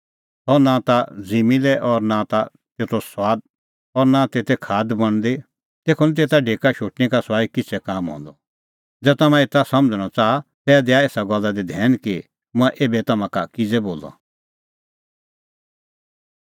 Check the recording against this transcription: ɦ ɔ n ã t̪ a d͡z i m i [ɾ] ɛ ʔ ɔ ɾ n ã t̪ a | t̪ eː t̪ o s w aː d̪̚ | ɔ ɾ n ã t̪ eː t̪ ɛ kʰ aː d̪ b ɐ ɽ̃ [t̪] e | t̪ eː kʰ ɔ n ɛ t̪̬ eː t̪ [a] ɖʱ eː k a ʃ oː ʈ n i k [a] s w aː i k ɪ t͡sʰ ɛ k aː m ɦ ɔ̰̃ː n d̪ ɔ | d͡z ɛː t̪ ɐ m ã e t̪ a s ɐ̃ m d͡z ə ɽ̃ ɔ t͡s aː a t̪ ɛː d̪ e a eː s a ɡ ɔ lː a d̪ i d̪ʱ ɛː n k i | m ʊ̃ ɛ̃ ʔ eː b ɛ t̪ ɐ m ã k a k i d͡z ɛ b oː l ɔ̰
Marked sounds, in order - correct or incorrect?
incorrect, incorrect, correct, correct

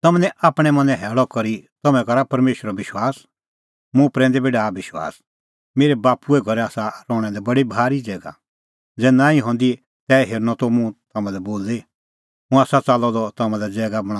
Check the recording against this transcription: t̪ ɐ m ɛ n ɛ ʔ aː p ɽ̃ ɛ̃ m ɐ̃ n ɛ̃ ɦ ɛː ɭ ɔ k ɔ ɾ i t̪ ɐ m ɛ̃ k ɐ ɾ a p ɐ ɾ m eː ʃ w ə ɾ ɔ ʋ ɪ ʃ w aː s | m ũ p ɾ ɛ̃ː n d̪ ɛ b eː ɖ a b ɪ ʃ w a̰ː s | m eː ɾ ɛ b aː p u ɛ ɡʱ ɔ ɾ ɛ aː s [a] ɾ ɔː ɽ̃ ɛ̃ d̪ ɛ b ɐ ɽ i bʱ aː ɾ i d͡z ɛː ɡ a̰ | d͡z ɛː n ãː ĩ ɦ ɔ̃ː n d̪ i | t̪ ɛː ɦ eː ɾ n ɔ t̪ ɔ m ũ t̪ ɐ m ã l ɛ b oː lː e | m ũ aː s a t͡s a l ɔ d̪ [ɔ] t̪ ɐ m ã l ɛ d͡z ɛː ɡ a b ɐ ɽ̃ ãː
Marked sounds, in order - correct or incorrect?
correct, correct

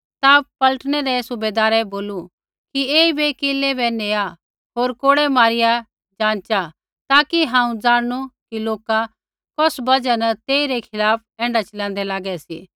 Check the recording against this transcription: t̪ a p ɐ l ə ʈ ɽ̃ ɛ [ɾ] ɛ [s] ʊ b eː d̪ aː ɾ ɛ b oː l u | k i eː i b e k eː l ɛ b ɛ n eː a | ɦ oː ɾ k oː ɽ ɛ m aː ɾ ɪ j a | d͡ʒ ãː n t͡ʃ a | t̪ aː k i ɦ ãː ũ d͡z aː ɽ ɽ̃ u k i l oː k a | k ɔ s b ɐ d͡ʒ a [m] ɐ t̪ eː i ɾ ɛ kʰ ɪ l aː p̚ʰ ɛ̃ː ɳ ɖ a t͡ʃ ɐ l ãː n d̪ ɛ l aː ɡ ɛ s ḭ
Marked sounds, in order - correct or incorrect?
correct, correct, incorrect

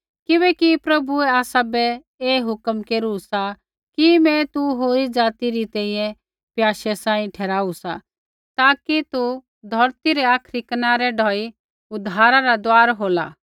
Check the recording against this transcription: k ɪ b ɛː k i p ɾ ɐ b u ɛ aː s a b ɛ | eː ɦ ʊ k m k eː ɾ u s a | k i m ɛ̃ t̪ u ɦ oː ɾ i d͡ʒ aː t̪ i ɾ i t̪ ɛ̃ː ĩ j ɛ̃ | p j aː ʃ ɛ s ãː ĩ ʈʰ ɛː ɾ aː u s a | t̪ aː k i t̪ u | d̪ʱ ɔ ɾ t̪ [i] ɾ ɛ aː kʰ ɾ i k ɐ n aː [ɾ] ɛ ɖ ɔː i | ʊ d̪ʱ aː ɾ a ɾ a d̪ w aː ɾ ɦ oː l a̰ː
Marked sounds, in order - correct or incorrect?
correct, correct

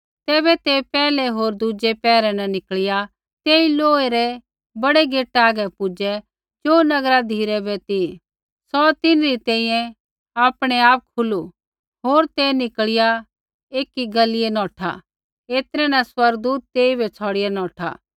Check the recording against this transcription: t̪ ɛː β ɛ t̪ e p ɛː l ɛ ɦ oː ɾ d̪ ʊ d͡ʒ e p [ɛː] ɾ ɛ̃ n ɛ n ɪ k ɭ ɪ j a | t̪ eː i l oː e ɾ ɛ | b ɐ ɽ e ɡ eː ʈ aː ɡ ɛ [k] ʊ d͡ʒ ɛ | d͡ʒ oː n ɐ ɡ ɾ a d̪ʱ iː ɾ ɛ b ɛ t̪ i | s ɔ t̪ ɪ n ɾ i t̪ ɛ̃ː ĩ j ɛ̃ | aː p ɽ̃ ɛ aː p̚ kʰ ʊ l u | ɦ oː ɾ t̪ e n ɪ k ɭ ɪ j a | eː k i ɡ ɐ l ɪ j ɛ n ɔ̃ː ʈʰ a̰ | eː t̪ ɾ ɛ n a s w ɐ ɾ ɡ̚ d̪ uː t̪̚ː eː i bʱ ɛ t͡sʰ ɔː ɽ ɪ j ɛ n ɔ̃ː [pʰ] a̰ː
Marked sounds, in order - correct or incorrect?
correct, incorrect, incorrect

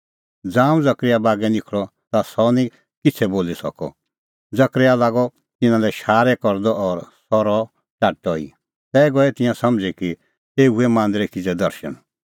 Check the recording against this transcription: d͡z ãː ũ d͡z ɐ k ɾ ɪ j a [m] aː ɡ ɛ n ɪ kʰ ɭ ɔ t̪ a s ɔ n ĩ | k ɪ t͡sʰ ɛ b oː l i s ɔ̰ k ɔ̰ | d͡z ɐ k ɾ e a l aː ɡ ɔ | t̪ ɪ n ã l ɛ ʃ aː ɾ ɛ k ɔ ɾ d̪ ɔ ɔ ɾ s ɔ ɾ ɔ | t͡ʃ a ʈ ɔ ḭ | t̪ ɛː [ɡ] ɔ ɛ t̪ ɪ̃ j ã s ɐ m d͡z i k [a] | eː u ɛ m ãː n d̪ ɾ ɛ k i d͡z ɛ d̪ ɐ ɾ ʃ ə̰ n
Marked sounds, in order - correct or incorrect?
incorrect, correct, incorrect

